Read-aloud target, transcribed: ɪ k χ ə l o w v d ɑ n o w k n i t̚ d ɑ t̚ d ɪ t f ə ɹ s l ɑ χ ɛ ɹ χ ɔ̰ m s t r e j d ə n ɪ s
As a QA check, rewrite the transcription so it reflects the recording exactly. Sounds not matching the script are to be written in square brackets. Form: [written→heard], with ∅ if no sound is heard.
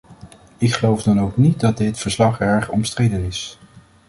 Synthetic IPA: ɪ k χ ə l o w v d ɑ n o w k n i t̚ d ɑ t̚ d ɪ t f ə ɹ s l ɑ χ ɛ ɹ χ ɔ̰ m s t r e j d ə n ɪ s

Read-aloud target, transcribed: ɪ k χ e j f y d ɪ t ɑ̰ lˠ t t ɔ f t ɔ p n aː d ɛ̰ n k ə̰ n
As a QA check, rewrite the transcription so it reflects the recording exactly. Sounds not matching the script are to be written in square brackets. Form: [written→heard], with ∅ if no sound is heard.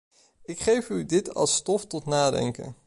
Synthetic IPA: ɪ k χ e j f y d ɪ t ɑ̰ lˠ [t→s] t ɔ f t ɔ [p→t] n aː d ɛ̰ [n→ŋ] k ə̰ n

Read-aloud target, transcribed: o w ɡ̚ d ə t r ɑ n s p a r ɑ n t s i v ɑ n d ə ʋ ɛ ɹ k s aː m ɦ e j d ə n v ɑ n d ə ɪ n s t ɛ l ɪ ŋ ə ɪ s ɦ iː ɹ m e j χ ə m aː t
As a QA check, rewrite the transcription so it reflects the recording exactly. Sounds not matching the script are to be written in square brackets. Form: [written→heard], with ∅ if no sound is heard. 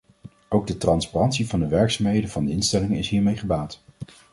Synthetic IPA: o w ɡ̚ d ə t r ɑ n s p a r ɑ n t s i v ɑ n d ə ʋ ɛ ɹ k s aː m ɦ e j d ə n v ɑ n d ə ɪ n s t ɛ l ɪ ŋ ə ɪ s ɦ iː ɹ m e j χ ə [m→b] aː t

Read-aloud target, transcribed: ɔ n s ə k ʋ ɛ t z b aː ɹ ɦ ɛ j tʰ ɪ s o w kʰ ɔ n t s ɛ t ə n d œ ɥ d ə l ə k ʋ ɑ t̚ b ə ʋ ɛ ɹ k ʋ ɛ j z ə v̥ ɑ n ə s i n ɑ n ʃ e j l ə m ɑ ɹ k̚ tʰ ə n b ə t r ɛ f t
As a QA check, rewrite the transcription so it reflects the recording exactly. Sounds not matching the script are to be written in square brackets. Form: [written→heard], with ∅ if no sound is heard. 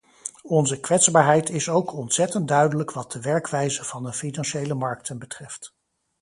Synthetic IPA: ɔ n [s→z] ə k ʋ ɛ t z b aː ɹ ɦ ɛ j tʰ ɪ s o w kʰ ɔ n t s ɛ t ə n d œ ɥ d ə l ə k ʋ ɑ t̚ [b→d] ə ʋ ɛ ɹ k ʋ ɛ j z ə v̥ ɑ n ə [s→f] i n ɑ n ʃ e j l ə m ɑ ɹ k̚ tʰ ə n b ə t r ɛ f t

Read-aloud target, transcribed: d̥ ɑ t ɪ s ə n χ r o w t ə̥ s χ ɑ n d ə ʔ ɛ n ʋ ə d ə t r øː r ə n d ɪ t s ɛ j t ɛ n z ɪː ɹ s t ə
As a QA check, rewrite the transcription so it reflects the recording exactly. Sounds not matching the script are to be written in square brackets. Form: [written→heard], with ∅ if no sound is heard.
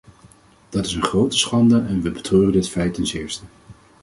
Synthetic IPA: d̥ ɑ t ɪ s ə n χ r o w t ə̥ s χ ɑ n d ə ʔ ɛ n ʋ ə [d→b] ə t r øː r ə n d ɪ t [s→f] ɛ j t ɛ n [z→s] ɪː ɹ s t ə

